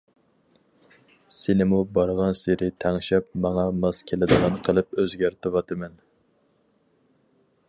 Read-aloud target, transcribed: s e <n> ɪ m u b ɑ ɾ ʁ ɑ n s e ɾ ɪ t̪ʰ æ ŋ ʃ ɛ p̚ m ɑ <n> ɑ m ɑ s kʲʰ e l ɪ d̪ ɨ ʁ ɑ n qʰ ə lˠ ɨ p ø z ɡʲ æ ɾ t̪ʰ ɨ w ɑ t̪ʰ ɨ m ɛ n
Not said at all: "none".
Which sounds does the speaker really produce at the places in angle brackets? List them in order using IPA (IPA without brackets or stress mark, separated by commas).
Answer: n, ŋ